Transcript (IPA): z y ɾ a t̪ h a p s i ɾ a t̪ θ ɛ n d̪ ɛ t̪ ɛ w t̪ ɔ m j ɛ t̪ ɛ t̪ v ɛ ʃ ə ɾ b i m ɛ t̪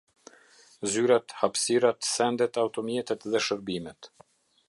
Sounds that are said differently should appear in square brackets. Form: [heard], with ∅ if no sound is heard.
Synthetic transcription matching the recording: z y ɾ a t̪ h a p s i ɾ a t̪ [s] ɛ n d̪ ɛ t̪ [a] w t̪ ɔ m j ɛ t̪ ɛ t̪ [ð] ɛ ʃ ə ɾ b i m ɛ t̪